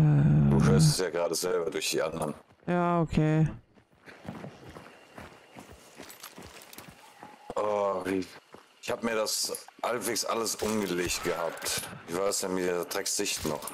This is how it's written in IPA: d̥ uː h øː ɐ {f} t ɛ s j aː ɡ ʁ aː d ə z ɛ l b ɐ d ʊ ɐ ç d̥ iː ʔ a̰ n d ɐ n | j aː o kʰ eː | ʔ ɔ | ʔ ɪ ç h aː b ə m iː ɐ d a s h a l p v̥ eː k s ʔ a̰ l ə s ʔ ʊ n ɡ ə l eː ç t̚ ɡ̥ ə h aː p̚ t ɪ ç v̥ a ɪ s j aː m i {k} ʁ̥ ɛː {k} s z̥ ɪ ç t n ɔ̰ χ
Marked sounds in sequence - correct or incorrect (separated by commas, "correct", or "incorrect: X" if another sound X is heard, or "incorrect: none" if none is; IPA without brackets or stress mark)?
incorrect: s, incorrect: t, correct